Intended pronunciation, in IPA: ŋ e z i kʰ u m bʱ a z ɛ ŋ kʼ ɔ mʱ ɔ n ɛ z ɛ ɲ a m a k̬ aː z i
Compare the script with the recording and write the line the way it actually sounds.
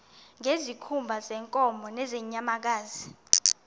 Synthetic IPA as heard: ŋ e z i kʰ u m bʱ a z ɛ ŋ kʼ ɔ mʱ ɔ n ɛ z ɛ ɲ a m a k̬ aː z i